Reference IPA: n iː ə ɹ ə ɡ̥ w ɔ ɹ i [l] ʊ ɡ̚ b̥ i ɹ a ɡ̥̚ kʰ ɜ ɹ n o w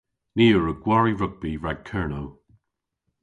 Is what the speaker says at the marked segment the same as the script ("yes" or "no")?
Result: no